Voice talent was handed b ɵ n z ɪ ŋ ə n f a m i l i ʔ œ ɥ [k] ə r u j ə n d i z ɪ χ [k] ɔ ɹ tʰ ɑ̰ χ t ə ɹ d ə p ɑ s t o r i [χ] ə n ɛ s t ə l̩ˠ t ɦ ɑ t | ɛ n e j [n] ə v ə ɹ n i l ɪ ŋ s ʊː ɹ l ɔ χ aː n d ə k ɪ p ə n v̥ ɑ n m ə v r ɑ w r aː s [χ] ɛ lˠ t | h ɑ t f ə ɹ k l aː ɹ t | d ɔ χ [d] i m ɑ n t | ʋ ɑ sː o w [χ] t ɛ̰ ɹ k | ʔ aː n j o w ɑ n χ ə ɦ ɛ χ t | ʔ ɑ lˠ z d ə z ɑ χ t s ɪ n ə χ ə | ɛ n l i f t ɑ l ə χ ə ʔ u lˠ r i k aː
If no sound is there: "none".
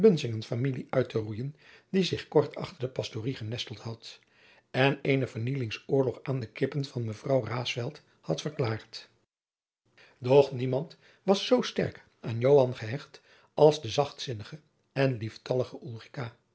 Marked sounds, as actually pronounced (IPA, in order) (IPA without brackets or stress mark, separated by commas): t, k, χ, n, f, n, s